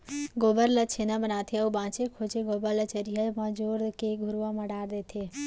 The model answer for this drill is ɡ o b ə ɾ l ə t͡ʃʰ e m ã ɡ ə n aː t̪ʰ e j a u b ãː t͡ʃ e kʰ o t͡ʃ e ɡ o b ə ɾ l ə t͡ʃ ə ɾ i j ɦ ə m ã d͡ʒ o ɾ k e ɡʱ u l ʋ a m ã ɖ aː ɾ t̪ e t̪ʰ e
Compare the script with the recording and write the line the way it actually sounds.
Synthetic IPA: ɡ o b ə ɾ l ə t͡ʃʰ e n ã b ə n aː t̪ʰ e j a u b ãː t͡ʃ e kʰ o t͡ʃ e ɡ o b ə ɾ l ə t͡ʃ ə ɾ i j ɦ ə m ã d͡ʒ o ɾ k e ɡʱ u ɾ ʋ a m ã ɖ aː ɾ d̪ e t̪ʰ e